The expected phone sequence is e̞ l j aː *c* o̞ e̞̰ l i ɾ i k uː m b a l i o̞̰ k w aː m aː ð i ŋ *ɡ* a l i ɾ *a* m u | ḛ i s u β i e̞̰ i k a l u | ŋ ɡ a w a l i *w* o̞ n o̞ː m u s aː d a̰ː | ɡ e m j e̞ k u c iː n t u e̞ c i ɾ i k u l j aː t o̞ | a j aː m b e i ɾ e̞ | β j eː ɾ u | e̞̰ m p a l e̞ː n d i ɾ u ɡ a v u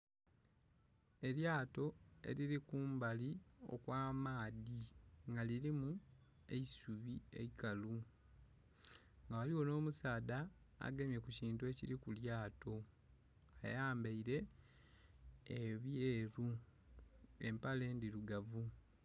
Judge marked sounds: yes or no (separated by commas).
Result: no, yes, no, yes